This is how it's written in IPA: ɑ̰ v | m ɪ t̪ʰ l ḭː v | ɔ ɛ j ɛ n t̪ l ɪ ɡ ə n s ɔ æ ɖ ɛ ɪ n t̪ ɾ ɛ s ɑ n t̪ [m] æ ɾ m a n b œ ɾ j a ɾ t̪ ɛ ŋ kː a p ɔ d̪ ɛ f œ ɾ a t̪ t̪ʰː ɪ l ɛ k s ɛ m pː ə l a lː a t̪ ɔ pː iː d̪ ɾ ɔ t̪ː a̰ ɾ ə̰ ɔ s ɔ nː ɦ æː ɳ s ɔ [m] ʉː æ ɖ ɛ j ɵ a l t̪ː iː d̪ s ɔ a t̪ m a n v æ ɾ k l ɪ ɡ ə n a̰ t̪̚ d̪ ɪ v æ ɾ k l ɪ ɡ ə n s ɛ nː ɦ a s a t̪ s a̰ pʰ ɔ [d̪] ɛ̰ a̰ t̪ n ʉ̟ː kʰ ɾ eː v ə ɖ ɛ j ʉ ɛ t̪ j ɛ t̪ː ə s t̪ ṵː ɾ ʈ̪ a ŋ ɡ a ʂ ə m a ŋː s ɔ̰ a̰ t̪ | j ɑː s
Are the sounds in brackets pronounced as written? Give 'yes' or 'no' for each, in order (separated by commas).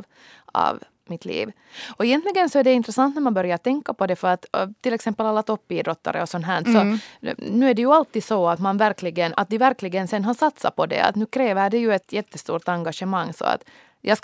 no, no, yes